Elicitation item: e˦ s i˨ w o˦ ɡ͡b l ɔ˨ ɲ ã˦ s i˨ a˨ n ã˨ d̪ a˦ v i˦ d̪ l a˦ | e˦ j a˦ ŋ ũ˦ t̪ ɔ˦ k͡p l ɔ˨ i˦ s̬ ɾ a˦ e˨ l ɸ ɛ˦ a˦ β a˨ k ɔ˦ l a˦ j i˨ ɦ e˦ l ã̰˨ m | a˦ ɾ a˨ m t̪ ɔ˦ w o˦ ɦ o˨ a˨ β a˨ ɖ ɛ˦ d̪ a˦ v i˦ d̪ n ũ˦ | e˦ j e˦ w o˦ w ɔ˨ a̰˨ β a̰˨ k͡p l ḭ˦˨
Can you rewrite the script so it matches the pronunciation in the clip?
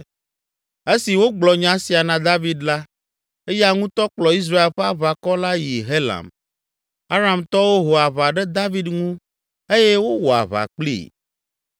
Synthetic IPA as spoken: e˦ s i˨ w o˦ ɡ͡b l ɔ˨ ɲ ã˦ s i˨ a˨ n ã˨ d̪ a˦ v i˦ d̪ l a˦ | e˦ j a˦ ŋ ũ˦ t̪ ɔ˦ k͡p l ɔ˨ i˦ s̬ ɾ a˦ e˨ l ɸ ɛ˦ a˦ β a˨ k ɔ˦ l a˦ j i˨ ɦ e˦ l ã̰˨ m | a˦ ɾ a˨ m t̪ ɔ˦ w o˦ ɦ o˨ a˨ β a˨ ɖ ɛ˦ d̪ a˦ v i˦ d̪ ŋ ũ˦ | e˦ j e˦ w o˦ w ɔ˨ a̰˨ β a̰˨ k͡p l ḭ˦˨